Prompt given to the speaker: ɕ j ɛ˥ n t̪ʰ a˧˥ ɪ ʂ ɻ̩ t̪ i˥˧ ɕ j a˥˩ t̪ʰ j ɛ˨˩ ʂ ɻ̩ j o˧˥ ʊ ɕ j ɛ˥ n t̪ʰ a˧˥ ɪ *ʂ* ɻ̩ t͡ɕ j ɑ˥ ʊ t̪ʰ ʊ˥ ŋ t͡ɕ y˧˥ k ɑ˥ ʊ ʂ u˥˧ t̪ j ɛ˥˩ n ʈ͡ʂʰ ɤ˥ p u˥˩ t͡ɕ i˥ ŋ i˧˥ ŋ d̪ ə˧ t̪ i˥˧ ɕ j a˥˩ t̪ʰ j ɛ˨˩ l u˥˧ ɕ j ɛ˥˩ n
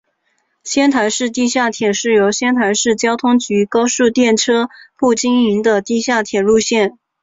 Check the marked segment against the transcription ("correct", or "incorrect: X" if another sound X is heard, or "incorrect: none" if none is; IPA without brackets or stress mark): correct